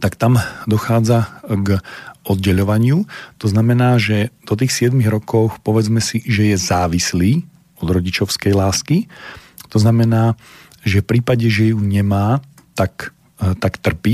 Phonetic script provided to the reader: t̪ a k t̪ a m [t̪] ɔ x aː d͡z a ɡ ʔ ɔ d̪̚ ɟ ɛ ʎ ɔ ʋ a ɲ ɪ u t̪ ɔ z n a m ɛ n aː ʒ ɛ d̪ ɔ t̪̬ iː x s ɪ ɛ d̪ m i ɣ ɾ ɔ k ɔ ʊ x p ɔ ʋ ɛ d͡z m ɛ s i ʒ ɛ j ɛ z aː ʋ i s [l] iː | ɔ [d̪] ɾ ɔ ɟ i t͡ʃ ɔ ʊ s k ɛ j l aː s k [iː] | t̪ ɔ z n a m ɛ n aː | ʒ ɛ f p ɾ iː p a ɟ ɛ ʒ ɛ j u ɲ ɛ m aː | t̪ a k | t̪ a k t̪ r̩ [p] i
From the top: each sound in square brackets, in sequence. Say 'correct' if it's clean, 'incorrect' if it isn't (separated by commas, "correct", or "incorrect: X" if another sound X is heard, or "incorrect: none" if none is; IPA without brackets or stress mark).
incorrect: d̪, correct, correct, incorrect: i, correct